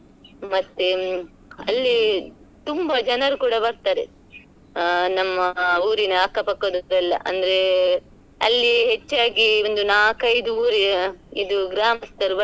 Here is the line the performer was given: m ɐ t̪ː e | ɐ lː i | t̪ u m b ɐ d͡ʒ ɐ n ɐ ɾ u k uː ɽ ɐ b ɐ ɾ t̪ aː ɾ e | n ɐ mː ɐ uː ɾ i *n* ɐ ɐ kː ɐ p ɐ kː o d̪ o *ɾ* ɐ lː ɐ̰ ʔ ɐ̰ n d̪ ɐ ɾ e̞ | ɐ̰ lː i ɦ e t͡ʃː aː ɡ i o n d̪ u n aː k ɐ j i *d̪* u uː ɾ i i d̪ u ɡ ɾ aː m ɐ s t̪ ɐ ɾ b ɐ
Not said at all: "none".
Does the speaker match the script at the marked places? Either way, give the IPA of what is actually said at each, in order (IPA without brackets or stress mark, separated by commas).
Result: n, ɾ, d̪